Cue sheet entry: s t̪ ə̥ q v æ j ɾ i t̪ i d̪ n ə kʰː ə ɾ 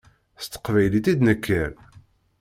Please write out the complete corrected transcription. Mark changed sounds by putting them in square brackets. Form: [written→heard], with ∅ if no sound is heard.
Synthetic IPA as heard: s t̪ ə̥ q v æ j [ɾ→l] i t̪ i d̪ n ə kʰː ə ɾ